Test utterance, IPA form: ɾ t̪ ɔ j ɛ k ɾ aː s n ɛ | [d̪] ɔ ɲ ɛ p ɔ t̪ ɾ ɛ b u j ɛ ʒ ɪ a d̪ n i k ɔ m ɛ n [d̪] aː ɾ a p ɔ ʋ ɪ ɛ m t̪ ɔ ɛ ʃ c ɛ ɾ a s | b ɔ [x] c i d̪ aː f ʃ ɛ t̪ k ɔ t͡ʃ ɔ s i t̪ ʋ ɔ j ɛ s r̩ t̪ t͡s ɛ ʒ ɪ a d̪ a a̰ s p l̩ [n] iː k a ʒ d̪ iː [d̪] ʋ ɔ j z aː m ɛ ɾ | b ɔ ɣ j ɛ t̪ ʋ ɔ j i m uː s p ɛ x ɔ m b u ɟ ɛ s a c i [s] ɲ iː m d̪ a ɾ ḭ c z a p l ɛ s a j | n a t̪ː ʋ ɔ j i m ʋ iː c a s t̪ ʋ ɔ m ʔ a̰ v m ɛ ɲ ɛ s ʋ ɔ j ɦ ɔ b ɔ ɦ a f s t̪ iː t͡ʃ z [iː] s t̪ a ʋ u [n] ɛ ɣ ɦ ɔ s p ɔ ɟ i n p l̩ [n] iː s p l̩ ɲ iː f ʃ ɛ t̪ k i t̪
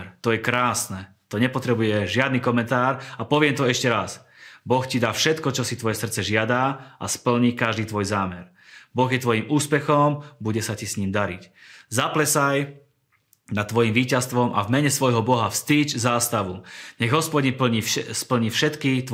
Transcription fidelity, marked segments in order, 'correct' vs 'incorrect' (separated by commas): incorrect, incorrect, correct, incorrect, incorrect, correct, incorrect, incorrect, incorrect